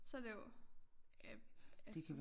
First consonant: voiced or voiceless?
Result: voiceless